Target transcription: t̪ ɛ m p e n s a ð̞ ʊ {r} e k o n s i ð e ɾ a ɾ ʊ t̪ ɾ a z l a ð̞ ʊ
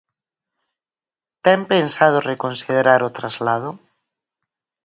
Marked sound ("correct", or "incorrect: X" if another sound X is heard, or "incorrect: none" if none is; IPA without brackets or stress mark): correct